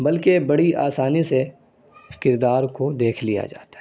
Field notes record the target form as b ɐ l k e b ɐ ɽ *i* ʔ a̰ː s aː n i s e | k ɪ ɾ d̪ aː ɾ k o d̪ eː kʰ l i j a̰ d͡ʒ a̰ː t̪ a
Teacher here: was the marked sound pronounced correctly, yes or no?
yes